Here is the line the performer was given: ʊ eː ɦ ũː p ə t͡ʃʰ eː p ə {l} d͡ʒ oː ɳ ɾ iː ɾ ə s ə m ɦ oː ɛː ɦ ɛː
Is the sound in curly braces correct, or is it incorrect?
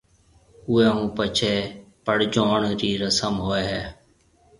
incorrect